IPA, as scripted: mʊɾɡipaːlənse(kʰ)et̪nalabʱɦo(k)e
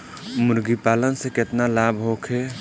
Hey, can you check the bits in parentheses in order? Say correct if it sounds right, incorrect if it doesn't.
incorrect, incorrect

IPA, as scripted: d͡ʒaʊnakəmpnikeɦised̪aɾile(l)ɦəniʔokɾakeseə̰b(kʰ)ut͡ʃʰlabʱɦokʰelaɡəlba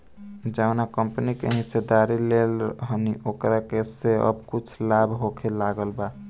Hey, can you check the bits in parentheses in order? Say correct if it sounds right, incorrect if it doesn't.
correct, incorrect

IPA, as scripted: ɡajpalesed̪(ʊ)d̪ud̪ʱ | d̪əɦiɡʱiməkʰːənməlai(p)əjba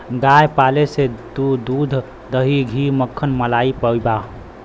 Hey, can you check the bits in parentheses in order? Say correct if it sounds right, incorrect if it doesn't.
incorrect, correct

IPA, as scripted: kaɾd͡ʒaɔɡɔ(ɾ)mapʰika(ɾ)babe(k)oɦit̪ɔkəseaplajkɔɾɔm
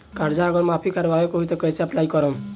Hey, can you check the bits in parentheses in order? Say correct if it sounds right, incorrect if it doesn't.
correct, correct, correct

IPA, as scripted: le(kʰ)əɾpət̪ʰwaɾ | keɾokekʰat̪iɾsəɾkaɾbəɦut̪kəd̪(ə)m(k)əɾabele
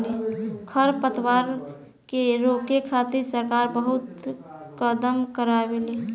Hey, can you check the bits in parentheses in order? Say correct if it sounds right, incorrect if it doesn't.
correct, correct, correct

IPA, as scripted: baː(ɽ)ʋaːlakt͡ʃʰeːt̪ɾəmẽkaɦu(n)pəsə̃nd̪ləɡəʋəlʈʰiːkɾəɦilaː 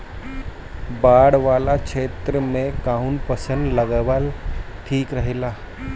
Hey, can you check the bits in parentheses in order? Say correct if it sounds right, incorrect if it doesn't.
correct, correct

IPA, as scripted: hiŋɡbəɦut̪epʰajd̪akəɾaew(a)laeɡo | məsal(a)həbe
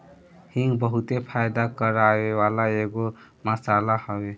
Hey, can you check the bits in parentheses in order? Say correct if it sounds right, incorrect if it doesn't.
correct, correct

